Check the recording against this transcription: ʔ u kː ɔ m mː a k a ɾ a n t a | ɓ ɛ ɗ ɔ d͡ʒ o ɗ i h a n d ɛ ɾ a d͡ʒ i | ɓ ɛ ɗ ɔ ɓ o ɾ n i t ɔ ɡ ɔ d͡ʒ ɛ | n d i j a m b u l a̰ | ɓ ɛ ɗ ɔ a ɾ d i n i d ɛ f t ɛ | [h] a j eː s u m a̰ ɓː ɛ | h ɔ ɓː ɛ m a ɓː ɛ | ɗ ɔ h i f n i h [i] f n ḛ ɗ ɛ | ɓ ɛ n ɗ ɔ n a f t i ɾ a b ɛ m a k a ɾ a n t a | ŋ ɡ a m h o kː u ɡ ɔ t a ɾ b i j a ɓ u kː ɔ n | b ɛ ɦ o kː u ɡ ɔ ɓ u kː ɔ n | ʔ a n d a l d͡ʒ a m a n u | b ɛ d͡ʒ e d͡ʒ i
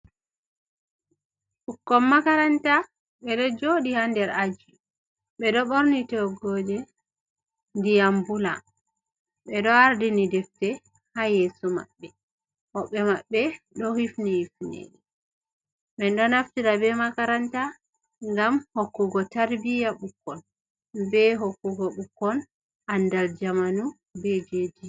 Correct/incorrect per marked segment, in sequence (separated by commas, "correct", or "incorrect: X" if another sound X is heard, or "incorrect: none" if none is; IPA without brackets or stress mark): correct, correct